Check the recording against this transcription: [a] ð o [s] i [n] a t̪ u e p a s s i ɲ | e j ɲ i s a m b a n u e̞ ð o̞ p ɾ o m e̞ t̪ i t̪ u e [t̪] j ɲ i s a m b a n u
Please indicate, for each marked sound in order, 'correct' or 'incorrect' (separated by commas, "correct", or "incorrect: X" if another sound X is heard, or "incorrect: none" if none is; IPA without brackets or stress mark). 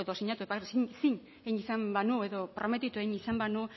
incorrect: e, correct, incorrect: ɲ, incorrect: none